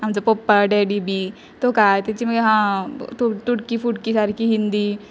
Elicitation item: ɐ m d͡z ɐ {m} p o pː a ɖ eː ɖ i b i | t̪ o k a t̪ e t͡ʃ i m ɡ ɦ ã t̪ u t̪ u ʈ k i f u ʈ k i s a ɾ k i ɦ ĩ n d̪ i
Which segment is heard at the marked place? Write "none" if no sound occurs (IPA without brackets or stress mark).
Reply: none